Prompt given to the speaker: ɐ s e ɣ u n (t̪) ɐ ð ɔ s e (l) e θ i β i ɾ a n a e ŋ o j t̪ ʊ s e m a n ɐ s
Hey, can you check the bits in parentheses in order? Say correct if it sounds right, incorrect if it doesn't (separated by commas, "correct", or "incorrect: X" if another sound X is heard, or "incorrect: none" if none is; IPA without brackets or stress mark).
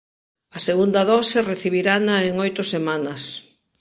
incorrect: d̪, incorrect: r